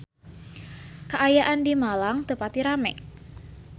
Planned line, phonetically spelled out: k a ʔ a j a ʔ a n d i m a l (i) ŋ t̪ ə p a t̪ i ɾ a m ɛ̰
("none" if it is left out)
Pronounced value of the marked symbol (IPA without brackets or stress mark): a